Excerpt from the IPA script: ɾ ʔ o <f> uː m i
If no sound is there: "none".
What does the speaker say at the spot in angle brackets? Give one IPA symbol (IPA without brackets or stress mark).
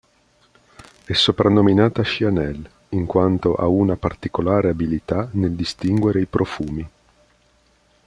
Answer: f